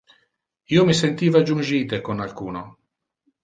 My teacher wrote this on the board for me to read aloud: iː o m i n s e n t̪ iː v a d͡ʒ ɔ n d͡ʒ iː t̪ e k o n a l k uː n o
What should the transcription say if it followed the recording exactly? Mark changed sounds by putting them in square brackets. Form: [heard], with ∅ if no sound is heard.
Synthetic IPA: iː o m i [∅] s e n t̪ iː v a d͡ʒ [u] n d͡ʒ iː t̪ e k o n a l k uː n o